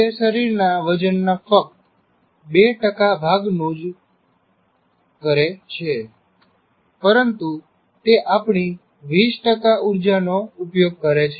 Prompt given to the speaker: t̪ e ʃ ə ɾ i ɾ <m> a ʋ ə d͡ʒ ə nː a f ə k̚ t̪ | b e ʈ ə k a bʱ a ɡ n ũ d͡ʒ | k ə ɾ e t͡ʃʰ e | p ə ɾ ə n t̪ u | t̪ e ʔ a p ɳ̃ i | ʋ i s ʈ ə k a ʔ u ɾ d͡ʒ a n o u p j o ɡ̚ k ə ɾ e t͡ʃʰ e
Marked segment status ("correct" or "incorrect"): incorrect